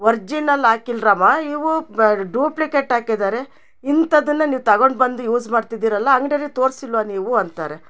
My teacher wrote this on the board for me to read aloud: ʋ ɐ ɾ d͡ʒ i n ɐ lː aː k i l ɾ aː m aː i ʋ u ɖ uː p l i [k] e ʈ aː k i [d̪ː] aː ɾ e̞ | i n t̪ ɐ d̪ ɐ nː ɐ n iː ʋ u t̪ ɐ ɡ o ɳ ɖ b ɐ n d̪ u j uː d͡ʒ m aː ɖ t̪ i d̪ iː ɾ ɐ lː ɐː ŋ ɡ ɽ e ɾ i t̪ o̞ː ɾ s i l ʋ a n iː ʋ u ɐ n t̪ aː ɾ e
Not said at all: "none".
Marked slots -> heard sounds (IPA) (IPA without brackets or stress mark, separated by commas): k, d̪